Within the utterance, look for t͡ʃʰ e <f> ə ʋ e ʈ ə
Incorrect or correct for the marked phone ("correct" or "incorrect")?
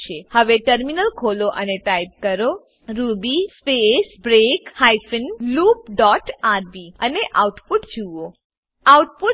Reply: incorrect